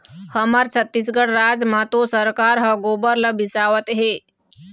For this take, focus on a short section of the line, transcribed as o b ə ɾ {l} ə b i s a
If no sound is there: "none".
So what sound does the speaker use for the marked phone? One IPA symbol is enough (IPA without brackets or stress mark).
l